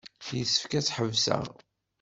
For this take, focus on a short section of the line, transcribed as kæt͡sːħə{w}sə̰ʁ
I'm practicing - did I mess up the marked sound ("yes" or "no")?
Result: yes